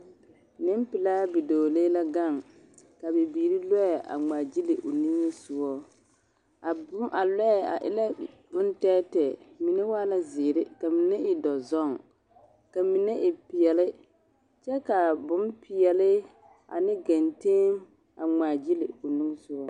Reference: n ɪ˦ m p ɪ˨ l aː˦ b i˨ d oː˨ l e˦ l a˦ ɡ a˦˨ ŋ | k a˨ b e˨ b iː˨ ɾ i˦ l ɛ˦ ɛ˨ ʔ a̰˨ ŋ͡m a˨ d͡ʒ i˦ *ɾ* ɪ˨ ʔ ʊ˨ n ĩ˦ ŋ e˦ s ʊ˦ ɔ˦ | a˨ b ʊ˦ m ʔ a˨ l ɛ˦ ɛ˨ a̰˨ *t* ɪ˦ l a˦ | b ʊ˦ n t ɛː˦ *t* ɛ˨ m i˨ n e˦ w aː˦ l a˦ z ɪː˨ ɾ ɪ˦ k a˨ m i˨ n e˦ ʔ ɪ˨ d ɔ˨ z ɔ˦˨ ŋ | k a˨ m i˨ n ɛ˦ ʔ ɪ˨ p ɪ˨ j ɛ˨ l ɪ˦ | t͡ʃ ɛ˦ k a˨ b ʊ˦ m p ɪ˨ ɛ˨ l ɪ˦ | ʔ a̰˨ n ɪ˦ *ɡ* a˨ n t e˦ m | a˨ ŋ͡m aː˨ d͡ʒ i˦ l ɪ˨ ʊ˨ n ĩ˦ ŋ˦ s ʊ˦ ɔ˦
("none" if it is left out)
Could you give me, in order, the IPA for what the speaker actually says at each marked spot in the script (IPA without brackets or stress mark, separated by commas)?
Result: l, ʔ, t, ɡ